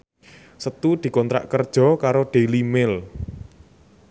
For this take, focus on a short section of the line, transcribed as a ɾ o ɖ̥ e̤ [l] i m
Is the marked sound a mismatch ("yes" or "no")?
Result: no